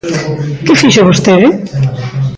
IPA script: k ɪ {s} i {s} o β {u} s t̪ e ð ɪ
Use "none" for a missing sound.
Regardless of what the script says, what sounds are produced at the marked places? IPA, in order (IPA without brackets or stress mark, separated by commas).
f, ʃ, o